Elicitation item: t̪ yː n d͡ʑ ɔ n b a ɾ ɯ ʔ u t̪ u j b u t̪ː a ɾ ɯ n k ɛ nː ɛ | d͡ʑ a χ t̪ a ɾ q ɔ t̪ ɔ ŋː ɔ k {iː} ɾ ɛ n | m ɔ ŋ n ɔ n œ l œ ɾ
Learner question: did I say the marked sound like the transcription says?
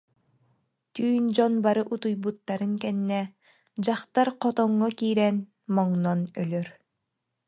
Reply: yes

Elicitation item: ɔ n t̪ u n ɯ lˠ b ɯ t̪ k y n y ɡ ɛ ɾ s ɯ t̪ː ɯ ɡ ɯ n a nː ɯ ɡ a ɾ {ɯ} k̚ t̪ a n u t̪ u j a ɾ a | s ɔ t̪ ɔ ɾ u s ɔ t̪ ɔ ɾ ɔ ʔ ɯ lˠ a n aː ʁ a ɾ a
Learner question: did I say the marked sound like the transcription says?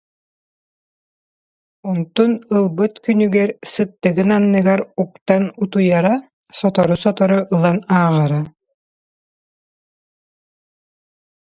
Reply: no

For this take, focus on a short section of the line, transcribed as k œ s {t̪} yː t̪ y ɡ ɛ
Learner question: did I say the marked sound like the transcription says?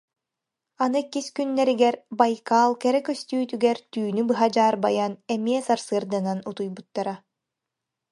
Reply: yes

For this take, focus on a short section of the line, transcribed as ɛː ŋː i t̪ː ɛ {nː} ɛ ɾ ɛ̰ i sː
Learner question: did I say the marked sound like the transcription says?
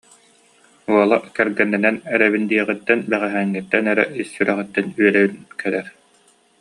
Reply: no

